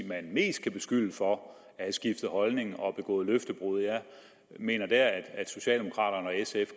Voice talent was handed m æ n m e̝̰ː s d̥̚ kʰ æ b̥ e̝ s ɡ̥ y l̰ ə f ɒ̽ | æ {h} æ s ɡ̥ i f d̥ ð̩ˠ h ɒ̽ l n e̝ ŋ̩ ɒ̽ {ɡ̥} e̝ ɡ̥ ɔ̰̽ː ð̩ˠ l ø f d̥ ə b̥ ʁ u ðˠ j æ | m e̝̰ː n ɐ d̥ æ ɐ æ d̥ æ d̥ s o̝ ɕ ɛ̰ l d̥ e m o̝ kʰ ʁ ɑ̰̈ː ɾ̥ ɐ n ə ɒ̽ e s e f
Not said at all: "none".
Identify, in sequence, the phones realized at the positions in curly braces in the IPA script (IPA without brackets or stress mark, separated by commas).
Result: h, b̥